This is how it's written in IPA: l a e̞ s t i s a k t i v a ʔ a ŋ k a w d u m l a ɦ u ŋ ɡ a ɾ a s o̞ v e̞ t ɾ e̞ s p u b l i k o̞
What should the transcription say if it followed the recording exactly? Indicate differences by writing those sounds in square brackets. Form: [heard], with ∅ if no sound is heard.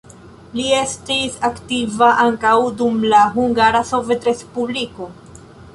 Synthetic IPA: l [i] e̞ s t i s a k t i v a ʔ a ŋ k a w d u m l a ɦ u ŋ ɡ a ɾ a s o̞ v e̞ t ɾ e̞ s p u b l i k o̞